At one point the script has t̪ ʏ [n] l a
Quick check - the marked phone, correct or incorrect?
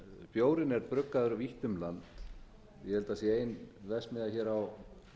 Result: incorrect